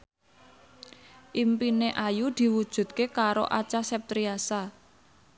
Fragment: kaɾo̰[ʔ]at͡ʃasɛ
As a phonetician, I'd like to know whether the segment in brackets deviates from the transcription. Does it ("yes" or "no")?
no